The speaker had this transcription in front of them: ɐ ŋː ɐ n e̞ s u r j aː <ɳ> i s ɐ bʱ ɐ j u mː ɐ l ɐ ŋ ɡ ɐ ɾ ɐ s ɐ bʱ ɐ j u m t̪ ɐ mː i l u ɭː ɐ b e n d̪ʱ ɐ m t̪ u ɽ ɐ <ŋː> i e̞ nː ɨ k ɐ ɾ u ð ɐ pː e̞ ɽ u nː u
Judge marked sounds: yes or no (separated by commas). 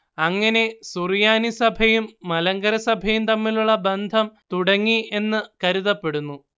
no, yes